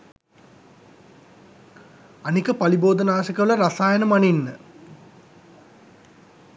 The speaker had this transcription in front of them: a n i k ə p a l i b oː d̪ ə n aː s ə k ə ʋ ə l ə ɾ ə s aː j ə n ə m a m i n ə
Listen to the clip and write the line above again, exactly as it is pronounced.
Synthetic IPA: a n i k ə p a l i b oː d̪ ə n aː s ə k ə ʋ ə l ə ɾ a s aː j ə n ə m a n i nː ə